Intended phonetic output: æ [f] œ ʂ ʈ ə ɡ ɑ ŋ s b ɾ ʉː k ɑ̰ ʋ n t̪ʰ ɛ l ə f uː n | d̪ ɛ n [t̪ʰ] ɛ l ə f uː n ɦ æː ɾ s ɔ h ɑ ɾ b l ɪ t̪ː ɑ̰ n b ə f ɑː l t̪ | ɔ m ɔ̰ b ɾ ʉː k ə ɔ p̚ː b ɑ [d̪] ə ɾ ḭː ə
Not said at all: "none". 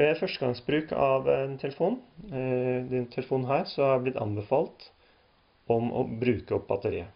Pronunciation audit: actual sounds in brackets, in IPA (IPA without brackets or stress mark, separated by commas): f, t̪ʰ, t̪